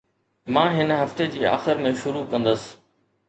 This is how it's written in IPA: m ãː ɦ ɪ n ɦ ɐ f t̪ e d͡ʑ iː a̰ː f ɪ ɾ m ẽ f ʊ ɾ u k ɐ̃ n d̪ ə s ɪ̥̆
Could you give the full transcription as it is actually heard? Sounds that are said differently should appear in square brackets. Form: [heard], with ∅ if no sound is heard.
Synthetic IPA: m ãː ɦ ɪ n ɦ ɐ f t̪ e d͡ʑ iː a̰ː [x] ɪ ɾ m ẽ [ʃ] ʊ ɾ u k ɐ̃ n d̪ ə s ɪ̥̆